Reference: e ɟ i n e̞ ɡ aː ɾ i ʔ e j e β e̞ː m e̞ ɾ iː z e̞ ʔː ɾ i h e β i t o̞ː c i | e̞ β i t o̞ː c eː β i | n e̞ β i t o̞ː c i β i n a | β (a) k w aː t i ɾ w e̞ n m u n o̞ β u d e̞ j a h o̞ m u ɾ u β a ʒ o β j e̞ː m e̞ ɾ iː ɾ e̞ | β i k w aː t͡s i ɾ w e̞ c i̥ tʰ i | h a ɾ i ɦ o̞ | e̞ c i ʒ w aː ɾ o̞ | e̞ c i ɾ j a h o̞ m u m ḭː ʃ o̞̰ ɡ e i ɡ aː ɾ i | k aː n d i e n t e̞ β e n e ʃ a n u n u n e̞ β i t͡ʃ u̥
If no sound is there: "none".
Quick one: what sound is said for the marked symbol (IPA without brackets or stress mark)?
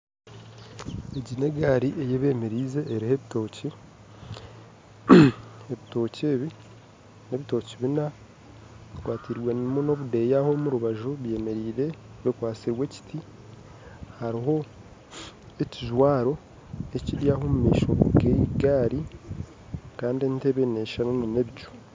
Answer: i